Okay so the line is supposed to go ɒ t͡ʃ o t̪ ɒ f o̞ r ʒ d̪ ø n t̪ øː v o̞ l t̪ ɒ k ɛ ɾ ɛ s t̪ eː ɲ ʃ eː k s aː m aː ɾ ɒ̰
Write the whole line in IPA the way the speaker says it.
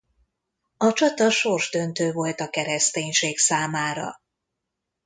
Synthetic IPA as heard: ɒ t͡ʃ ɒ t̪ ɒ ʃ o̞ r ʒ d̪ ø n t̪ øː v o̞ l t̪ ɒ k ɛ ɾ ɛ s t̪ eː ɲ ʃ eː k s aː m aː ɾ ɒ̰